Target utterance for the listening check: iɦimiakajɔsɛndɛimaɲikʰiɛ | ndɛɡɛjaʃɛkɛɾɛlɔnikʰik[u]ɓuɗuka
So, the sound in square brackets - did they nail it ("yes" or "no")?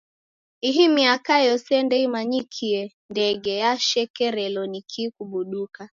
yes